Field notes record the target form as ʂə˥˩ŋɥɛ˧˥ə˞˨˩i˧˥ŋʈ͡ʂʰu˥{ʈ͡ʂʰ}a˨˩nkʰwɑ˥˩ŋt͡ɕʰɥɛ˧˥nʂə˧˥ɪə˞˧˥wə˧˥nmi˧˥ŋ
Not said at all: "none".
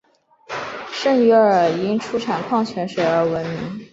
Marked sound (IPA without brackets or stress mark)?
ʈ͡ʂʰ